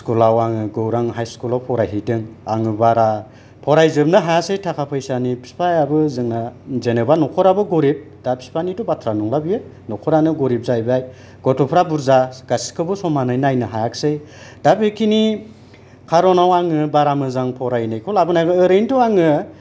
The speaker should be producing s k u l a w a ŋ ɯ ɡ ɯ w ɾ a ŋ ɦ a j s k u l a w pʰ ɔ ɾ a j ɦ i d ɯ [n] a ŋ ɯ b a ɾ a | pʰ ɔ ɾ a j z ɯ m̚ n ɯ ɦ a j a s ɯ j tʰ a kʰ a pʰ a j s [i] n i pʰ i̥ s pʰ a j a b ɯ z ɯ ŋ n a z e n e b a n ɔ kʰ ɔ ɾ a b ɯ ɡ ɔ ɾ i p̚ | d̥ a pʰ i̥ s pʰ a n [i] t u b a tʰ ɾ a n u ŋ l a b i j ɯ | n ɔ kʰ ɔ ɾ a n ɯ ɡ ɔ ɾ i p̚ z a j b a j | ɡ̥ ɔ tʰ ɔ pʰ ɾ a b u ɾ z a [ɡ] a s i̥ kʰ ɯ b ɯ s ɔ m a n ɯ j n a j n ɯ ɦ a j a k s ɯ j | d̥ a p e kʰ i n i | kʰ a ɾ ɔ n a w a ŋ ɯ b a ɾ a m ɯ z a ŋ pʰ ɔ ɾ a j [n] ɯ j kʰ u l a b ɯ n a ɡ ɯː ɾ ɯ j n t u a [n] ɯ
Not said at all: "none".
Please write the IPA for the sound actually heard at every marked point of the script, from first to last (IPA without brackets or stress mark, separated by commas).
ŋ, a, i, ɡ, n, ŋ